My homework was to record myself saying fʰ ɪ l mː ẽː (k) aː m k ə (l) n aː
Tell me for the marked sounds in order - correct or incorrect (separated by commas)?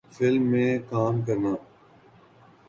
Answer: correct, incorrect